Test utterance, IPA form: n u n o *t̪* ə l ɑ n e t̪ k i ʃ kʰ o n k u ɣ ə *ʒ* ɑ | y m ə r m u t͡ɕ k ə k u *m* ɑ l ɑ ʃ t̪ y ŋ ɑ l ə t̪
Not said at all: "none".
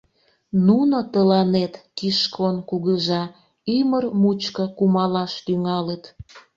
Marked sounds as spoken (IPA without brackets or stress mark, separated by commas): t̪, ʒ, m